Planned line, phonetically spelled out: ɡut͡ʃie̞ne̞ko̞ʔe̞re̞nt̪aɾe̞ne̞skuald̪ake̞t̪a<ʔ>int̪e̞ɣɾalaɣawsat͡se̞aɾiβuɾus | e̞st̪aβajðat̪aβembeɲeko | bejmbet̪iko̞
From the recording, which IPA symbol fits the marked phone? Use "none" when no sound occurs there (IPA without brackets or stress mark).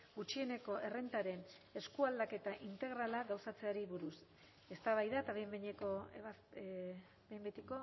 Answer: ʔ